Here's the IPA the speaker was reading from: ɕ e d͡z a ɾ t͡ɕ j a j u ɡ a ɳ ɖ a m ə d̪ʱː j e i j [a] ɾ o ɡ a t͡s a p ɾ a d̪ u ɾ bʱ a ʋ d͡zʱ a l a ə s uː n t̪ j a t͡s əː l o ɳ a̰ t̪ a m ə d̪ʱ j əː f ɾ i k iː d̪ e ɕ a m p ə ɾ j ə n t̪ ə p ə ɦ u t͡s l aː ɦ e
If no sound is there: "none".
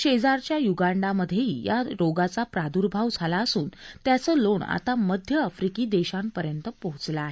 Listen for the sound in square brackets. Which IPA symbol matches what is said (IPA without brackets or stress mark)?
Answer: a